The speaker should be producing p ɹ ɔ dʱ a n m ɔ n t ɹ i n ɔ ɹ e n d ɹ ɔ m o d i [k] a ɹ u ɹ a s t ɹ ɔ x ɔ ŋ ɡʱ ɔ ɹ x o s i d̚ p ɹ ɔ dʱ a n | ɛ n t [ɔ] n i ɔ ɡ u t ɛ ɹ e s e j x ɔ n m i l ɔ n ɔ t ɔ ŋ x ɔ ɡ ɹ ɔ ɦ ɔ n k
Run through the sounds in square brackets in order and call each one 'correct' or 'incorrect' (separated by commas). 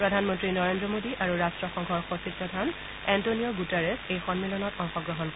incorrect, incorrect